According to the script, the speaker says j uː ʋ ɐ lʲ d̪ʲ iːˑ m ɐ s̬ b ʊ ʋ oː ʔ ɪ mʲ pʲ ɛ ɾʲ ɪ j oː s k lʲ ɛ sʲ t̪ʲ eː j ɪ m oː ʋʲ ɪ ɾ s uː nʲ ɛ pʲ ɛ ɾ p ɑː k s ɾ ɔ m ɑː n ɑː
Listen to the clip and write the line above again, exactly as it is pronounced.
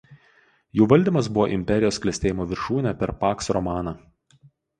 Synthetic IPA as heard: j uː ʋ ɐ lʲ d̪ʲ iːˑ m ɐ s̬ b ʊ ʋ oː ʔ ɪ mʲ pʲ ɛ ɾʲ ɪ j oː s k lʲ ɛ sʲ t̪ʲ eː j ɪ m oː ʋʲ ɪ ɾ ʃ uː nʲ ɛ pʲ ɛ ɾ p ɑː k s ɾ ɔ m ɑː n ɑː

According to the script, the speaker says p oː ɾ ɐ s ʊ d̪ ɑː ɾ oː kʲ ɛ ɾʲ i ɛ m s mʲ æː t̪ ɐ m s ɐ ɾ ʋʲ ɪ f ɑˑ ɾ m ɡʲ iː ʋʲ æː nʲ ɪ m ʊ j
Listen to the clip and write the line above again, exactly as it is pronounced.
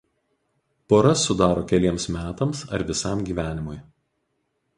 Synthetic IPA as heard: p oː ɾ ɐ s ʊ d̪ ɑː ɾ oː kʲ ɛ lʲ i ɛ m s mʲ æː t̪ ɐ m s ɐ ɾ ʋʲ ɪ s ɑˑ m ɡʲ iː ʋʲ æː nʲ ɪ m ʊ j

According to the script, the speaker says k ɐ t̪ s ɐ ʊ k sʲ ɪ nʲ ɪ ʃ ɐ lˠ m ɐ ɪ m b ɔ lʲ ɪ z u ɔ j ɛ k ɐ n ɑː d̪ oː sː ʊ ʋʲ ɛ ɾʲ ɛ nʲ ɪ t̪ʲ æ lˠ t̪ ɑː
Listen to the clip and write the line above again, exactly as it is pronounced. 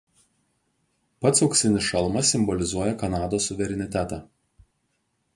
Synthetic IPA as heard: p ɐ t̪ s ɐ ʊ k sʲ ɪ nʲ ɪ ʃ ɐ lˠ m ɐ ɪ m b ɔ lʲ ɪ z u ɔ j ɛ k ɐ n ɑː d̪ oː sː ʊ ʋʲ ɛ ɾʲ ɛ nʲ ɪ t̪ʲ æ t̪ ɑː

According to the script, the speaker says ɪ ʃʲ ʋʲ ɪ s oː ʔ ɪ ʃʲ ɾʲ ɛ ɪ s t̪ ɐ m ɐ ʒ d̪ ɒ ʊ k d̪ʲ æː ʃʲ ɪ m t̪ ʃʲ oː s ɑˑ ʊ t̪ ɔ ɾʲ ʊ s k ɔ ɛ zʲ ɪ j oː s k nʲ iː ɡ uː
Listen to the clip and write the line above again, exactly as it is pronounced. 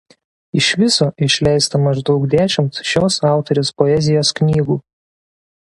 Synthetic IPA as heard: ɪ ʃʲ ʋʲ ɪ s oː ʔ ɪ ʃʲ lʲ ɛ ɪ s t̪ ɐ m ɐ ʒ d̪ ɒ ʊ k d̪ʲ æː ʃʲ ɪ m t̪ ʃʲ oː s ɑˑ ʊ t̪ ɔ ɾʲ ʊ s p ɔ ɛ zʲ ɪ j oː s k nʲ iː ɡ uː

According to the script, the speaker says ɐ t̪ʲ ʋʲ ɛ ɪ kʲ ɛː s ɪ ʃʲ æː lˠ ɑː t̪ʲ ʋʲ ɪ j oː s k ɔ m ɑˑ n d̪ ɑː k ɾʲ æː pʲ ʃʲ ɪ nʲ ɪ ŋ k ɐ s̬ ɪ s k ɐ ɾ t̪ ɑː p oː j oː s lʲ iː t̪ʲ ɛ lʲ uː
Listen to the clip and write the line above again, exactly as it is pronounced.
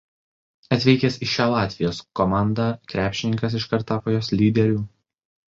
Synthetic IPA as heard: ɐ t̪ʲ ʋʲ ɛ ɪ kʲ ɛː s ɪ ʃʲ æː lˠ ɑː t̪ʲ ʋʲ ɪ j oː s k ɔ m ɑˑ n d̪ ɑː k ɾʲ æː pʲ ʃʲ ɪ nʲ ɪ ŋ k ɐ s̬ ɪ ʃ k ɐ ɾ t̪ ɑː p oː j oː s lʲ iː d̪ʲ ɛ ɾʲ uː

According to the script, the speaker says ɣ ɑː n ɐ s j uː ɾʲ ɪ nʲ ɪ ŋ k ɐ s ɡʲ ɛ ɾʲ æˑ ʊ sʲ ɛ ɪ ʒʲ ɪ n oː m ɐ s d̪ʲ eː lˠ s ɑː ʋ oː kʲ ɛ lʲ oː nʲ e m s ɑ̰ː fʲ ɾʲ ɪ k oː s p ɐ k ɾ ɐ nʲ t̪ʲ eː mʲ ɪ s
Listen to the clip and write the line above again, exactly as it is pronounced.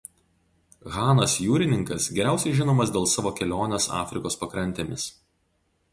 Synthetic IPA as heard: ɣ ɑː n ɐ s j uː ɾʲ ɪ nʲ ɪ ŋ k ɐ s ɡʲ ɛ ɾʲ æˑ ʊ sʲ ɛ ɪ ʒʲ ɪ n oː m ɐ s d̪ʲ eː lˠ s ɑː ʋ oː kʲ ɛ lʲ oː nʲ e s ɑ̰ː fʲ ɾʲ ɪ k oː s p ɐ k ɾ ɐ nʲ t̪ʲ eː mʲ ɪ s

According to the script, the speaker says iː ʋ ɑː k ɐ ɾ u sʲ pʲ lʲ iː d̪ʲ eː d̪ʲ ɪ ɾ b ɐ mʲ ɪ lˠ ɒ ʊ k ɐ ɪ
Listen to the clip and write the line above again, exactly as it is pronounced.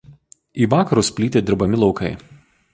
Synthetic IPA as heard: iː ʋ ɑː k ɐ ɾ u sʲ pʲ lʲ iː t̪ʲ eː d̪ʲ ɪ ɾ b ɐ mʲ ɪ lˠ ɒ ʊ k ɐ ɪ

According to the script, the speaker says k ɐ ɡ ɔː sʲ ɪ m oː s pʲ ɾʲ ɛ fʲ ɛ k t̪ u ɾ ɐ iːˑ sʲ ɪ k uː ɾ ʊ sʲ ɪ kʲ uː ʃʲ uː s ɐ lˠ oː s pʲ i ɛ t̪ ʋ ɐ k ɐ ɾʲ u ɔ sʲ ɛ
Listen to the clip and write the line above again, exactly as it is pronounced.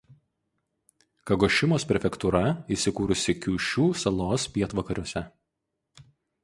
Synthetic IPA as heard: k ɐ ɡ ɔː ʃʲ ɪ m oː s pʲ ɾʲ ɛ fʲ ɛ k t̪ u ɾ ɐ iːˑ sʲ ɪ k uː ɾ ʊ sʲ ɪ kʲ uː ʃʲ uː s ɐ lˠ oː s pʲ i ɛ t̪ ʋ ɐ k ɐ ɾʲ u ɔ sʲ ɛ

